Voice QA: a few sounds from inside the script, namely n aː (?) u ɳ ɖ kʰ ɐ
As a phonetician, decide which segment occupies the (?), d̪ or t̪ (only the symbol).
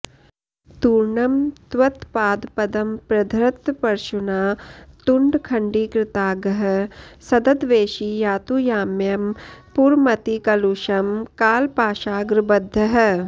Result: t̪